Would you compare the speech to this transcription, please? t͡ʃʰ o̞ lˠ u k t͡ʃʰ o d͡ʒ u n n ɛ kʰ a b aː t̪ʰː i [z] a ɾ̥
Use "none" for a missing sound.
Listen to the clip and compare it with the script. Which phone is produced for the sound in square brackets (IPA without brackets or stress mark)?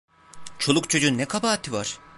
v